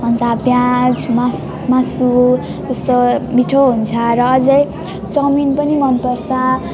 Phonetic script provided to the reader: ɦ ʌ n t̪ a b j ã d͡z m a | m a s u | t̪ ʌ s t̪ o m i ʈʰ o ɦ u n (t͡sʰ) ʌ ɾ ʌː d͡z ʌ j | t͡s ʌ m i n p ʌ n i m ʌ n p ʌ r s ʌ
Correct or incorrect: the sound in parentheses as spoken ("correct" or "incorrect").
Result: correct